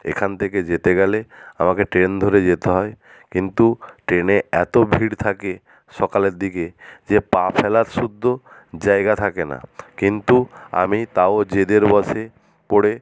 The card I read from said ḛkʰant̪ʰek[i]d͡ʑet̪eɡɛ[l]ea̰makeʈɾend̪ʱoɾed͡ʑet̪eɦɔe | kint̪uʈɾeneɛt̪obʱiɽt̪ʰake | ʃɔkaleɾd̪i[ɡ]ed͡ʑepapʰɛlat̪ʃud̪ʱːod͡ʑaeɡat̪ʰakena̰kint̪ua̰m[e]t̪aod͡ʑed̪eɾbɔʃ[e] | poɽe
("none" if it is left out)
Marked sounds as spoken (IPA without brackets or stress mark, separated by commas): e, l, k, i, e